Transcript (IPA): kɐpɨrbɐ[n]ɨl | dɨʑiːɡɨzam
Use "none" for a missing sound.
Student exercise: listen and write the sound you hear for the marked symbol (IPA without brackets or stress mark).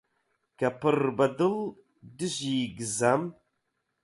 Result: d